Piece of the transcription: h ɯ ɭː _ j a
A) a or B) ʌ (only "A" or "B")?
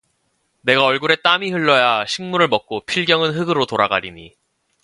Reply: B